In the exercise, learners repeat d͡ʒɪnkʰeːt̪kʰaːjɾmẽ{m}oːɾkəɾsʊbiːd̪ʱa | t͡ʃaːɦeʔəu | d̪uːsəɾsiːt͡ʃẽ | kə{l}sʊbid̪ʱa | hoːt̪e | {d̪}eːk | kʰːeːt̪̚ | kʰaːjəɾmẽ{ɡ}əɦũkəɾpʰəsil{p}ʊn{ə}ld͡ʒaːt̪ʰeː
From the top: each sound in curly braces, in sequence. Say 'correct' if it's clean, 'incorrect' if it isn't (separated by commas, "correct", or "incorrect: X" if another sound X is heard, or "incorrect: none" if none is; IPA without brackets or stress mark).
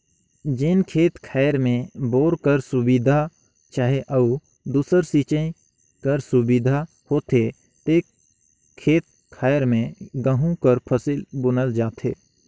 incorrect: b, incorrect: ɾ, incorrect: t̪, correct, incorrect: b, correct